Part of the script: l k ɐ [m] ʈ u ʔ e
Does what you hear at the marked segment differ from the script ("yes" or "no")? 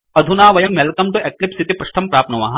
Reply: no